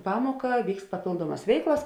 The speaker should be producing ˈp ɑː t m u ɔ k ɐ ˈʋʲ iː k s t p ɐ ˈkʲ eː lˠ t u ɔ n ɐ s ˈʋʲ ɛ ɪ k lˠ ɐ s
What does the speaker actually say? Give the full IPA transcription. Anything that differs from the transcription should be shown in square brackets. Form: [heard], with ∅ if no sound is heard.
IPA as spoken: ˈp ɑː [∅] m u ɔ k ɐ ˈʋʲ iː k s t p ɐ [ˈpʲ] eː lˠ [d] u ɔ [m] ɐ s ˈʋʲ ɛ ɪ k lˠ ɐ s